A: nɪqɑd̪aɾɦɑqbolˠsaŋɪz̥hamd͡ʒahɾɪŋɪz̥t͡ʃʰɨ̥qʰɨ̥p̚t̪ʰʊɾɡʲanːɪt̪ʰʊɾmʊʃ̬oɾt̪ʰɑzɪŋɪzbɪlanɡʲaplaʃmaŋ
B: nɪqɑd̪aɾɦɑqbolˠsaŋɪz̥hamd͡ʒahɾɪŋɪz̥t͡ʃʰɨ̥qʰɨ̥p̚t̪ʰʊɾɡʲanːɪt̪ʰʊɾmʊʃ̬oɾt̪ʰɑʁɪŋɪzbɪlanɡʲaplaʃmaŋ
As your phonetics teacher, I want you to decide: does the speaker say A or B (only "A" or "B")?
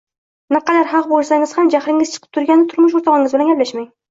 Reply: B